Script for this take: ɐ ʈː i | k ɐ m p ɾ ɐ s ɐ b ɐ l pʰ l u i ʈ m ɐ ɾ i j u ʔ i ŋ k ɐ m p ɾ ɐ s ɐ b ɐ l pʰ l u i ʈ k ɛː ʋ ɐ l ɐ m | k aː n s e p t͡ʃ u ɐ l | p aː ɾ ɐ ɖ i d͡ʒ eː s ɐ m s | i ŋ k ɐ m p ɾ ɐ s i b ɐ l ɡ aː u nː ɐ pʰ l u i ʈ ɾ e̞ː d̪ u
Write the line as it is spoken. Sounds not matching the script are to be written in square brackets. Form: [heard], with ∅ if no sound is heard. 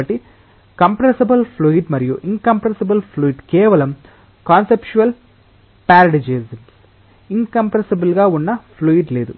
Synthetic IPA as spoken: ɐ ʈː i | k ɐ m p ɾ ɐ s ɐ b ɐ l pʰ l u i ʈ m ɐ ɾ i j u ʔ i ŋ k ɐ m p ɾ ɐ s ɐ b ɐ l pʰ l u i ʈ k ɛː ʋ ɐ l ɐ m | k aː n s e p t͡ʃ u ɐ l | p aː ɾ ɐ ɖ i d͡ʒ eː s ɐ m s | i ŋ k ɐ m p ɾ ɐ s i b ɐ l ɡ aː u nː ɐ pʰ l u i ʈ [l] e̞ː d̪ u